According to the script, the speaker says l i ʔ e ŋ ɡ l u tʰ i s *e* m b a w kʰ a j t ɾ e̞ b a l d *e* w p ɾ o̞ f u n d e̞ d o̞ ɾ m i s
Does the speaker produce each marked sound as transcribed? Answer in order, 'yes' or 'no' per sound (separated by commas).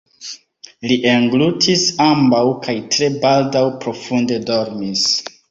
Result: no, no